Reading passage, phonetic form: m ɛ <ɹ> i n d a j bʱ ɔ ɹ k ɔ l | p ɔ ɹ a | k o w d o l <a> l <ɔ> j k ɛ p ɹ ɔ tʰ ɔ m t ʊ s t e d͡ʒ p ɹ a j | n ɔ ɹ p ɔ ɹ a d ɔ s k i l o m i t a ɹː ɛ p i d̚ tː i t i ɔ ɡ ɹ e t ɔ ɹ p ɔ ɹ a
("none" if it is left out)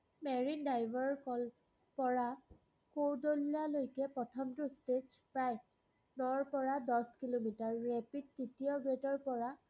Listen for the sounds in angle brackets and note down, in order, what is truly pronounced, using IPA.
ɹ, a, o

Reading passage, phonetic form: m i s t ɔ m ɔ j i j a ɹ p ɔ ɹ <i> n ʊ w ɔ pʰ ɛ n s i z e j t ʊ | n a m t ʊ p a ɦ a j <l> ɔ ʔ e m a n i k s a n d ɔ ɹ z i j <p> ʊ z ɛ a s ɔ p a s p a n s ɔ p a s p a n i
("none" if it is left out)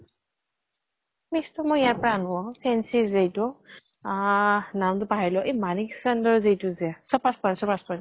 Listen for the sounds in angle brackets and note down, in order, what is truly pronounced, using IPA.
a, l, t

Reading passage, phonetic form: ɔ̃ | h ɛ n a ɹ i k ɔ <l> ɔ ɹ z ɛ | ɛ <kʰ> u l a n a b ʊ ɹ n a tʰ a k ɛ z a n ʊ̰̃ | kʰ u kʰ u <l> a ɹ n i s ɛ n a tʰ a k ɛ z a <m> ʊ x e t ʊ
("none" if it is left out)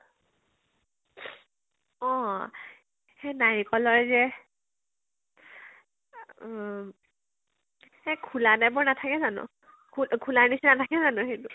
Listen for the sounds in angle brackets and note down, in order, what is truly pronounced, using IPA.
l, kʰ, l, n

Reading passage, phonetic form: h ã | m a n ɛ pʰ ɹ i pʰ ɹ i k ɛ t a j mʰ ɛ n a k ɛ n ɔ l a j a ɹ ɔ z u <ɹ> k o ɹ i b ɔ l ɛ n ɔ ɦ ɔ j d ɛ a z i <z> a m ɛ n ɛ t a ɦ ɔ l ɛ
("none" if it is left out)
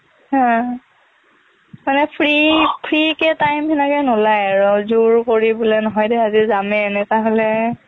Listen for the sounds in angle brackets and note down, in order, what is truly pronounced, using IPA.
ɹ, z

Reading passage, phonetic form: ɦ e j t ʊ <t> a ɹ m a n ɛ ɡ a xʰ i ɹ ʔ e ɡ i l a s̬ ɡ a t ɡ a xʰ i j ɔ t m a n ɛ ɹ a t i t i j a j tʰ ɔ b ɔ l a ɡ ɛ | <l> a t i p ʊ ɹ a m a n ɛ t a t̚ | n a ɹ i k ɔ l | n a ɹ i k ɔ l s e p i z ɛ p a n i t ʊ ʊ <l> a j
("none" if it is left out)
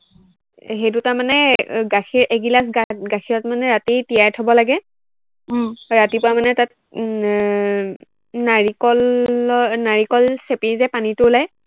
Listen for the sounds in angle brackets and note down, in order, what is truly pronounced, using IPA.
t, ɹ, l

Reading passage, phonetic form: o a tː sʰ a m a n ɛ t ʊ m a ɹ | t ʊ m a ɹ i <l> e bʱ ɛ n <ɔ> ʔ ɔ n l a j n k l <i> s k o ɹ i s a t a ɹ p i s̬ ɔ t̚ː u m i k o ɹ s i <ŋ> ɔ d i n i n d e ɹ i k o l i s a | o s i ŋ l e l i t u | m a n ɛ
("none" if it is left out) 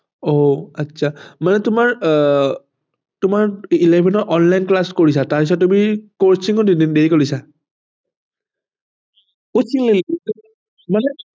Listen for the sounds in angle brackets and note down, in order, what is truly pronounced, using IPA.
l, ɔ, a, ŋ

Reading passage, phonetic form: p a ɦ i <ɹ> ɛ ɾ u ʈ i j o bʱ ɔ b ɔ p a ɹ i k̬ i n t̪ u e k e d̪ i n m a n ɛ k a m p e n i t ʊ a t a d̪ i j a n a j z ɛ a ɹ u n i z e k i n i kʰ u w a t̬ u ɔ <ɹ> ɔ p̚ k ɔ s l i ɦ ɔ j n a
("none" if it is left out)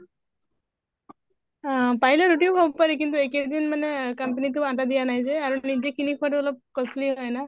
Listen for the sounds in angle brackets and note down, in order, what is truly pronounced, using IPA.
l, l

